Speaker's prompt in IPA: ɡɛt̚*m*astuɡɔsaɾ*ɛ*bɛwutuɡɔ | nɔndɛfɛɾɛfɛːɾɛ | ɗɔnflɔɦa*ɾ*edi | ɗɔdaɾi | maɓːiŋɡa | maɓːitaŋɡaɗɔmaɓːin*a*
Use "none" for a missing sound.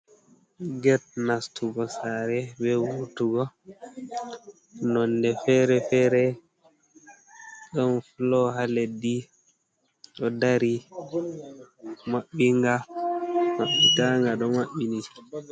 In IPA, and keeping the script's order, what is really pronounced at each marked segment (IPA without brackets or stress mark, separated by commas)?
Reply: n, ɛ, l, i